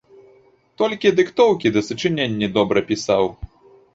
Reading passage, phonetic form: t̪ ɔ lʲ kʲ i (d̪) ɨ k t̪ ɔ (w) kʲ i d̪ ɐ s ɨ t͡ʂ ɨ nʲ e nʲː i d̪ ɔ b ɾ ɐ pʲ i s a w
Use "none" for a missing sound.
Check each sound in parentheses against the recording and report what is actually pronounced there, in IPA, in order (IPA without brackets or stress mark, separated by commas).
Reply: d̪, w